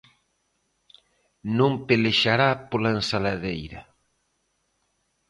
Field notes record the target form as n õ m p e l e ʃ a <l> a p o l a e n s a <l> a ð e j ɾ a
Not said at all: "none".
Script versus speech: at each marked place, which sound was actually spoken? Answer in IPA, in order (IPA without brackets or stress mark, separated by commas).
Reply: ɾ, l